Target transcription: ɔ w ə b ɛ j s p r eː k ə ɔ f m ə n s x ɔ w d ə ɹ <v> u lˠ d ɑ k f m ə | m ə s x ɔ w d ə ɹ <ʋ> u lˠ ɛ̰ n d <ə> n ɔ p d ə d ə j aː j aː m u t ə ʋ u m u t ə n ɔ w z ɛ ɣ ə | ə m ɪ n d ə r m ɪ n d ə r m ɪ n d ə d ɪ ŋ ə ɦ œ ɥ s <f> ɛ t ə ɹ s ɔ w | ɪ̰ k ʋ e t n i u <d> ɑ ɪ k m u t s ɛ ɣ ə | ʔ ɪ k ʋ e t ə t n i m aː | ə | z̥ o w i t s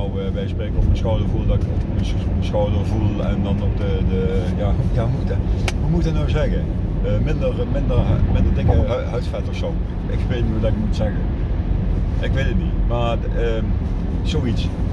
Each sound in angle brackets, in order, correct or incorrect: correct, incorrect: v, incorrect: ɑ, correct, correct

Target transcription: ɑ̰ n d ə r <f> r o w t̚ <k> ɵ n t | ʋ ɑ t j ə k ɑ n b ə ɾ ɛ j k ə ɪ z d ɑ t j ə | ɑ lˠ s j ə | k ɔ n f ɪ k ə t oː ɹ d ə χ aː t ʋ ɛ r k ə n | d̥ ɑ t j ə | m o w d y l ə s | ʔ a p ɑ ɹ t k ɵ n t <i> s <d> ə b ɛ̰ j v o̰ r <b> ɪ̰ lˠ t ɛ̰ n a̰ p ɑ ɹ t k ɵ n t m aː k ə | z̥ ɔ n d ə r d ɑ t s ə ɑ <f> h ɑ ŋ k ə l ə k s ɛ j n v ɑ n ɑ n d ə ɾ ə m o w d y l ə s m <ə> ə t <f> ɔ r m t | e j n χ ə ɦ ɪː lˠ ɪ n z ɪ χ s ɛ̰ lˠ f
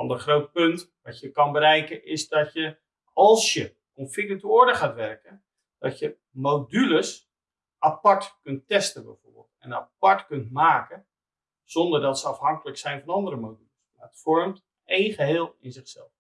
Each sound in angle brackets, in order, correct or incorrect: incorrect: χ, incorrect: p, incorrect: ɛ, incorrect: t, correct, correct, incorrect: a, correct

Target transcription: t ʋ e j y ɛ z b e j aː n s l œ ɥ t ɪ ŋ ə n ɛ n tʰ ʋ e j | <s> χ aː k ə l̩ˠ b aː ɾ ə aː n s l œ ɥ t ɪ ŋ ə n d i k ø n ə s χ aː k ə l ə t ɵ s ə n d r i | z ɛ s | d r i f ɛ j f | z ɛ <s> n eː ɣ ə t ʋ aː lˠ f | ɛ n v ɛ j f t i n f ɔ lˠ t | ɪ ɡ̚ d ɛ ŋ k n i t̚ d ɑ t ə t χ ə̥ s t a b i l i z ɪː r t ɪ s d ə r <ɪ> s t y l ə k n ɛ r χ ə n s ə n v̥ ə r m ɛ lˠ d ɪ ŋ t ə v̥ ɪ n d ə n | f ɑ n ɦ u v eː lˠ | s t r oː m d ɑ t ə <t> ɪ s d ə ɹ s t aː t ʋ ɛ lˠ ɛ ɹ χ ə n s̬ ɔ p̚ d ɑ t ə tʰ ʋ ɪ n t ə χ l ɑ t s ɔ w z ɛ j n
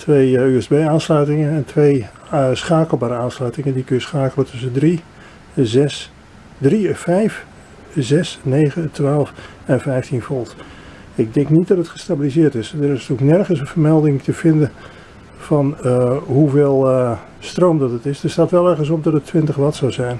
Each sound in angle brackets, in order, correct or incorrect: correct, correct, correct, correct

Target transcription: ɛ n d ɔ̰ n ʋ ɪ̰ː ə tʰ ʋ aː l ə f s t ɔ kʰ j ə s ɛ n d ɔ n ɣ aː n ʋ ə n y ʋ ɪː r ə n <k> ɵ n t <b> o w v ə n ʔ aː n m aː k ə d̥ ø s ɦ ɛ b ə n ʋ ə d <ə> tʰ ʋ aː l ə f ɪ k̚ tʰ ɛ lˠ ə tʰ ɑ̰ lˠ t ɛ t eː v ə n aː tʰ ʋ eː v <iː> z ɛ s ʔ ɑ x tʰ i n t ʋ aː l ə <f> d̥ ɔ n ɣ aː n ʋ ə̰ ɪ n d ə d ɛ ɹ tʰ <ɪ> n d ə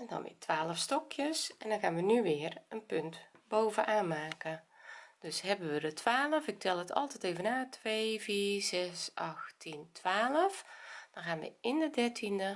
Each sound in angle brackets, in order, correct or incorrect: incorrect: p, correct, correct, correct, correct, incorrect: i

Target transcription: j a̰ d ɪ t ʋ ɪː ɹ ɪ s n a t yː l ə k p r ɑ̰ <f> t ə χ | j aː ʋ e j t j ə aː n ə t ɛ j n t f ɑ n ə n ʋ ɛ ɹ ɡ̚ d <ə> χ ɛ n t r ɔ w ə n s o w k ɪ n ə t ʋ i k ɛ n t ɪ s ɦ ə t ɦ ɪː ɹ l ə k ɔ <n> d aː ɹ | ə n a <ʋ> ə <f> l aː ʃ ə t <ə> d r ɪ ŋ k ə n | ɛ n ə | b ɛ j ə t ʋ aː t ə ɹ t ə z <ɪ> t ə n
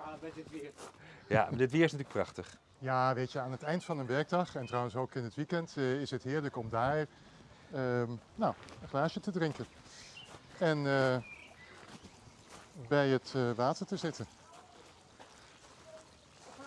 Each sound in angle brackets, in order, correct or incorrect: incorrect: χ, incorrect: ɑ, incorrect: m, incorrect: w, incorrect: χ, correct, correct

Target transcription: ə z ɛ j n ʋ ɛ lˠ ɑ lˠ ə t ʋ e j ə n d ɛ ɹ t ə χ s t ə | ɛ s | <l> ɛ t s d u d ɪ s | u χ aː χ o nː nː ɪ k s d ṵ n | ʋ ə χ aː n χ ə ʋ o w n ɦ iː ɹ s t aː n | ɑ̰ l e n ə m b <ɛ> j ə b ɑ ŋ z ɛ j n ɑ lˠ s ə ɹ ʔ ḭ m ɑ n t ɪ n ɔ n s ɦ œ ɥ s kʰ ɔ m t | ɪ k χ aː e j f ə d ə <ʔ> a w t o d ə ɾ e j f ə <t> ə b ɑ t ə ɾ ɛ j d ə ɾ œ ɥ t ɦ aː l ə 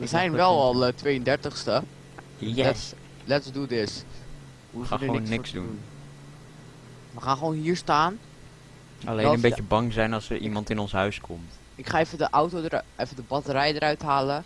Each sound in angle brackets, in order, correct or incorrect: correct, incorrect: e, correct, incorrect: d

